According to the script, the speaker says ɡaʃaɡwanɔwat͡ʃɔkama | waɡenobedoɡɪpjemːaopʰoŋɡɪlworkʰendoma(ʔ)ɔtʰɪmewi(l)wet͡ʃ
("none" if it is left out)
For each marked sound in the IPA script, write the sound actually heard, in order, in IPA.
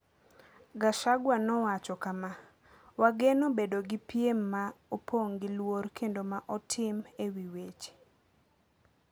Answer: ʔ, none

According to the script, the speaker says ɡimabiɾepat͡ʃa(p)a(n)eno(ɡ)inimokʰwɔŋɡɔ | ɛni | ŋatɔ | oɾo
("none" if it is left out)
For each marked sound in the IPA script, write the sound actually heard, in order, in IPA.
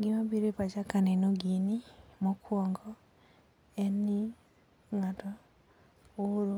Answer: k, n, ɡ

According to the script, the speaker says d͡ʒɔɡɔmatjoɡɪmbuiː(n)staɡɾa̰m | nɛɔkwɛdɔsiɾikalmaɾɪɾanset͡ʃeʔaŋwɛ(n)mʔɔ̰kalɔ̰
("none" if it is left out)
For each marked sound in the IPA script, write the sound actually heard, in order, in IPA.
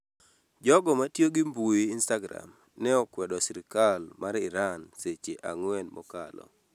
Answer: n, n

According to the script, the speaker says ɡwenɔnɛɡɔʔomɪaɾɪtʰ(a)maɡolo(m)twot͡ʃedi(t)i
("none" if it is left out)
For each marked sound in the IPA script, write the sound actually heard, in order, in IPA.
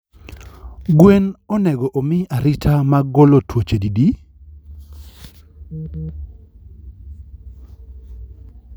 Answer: a, none, d

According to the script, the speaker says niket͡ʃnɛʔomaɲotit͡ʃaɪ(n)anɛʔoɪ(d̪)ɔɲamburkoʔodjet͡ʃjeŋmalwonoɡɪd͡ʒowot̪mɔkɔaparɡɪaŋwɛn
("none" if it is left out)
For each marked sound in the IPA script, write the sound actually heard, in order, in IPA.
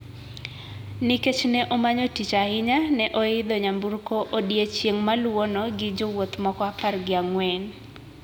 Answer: ɲ, d̪

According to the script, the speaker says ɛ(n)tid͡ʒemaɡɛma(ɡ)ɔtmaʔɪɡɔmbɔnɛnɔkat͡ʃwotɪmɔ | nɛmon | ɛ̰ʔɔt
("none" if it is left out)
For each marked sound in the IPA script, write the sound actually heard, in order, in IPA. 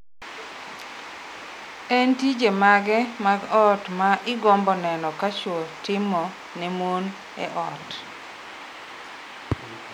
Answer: n, ɡ

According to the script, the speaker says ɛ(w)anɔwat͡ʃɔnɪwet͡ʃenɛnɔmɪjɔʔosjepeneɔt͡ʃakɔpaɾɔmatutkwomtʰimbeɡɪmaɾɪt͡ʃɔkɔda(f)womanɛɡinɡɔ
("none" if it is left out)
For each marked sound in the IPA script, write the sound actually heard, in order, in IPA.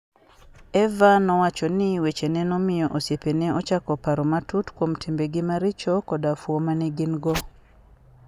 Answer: v, f

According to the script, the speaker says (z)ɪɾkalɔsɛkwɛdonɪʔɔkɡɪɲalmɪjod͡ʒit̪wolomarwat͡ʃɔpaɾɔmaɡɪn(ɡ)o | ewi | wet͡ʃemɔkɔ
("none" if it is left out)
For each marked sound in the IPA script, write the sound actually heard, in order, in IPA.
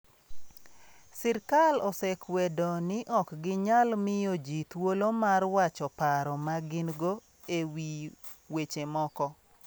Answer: s, ɡ

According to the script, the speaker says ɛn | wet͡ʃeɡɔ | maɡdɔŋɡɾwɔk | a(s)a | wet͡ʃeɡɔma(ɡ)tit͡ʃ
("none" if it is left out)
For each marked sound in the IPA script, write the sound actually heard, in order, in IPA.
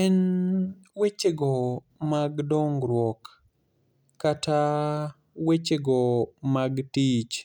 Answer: t, ɡ

